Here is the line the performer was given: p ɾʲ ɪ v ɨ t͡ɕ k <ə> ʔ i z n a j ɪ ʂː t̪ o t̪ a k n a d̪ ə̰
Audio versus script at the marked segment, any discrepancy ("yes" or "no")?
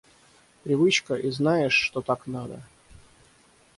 no